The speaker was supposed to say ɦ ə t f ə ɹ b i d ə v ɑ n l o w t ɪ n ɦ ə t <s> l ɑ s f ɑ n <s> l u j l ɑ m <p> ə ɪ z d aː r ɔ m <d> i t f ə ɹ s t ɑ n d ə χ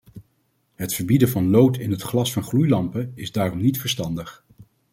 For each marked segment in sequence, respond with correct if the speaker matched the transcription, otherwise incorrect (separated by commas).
incorrect, incorrect, correct, incorrect